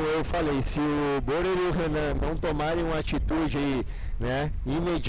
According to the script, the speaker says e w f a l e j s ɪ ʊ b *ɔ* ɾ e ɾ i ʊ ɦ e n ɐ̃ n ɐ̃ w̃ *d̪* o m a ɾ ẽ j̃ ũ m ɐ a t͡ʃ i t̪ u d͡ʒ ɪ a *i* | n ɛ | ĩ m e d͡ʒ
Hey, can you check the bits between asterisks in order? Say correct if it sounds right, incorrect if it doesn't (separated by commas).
incorrect, incorrect, correct